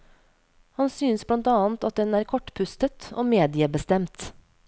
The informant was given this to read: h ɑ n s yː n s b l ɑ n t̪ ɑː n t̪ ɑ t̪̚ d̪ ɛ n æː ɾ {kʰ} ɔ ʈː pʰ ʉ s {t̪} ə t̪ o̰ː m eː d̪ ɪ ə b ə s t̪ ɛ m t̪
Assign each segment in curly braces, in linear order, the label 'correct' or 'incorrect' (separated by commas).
correct, correct